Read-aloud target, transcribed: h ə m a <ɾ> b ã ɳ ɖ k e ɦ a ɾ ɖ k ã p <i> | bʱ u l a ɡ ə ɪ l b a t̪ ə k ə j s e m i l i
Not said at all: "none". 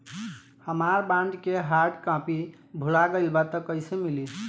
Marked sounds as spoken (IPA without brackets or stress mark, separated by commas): ɾ, i